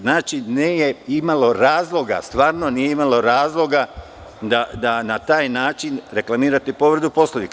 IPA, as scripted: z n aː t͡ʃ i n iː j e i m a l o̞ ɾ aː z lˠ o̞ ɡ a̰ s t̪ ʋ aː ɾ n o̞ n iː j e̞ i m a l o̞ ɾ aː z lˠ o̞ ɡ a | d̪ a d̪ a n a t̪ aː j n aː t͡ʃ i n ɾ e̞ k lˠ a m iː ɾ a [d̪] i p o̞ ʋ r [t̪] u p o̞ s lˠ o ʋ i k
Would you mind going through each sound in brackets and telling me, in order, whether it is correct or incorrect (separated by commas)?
incorrect, incorrect